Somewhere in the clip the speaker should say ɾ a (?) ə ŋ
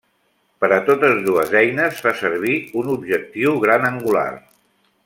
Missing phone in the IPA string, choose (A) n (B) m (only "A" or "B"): A